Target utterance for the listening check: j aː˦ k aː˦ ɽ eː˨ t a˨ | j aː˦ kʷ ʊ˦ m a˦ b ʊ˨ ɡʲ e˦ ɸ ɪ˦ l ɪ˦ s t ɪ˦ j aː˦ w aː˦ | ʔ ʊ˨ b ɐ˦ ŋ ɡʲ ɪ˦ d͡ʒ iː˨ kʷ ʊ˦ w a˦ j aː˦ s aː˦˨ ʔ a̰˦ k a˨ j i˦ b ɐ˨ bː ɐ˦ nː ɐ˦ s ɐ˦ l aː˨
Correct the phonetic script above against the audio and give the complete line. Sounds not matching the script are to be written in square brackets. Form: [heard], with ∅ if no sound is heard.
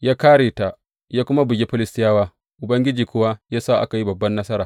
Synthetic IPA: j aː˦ k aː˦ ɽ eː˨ t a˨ | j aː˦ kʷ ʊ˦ m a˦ b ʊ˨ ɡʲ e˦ ɸ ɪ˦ l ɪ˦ s t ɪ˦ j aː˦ w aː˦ | ʔ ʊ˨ b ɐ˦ ŋ ɡʲ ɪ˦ d͡ʒ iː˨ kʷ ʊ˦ w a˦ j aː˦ s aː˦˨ ʔ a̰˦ k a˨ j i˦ b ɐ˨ bː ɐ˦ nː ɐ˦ s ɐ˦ [ɾ] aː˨